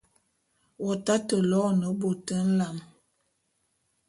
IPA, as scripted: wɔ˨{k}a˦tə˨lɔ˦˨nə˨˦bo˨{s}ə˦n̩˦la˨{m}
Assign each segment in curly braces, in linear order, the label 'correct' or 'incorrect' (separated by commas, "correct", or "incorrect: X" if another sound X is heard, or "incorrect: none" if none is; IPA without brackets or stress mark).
incorrect: t, incorrect: t, correct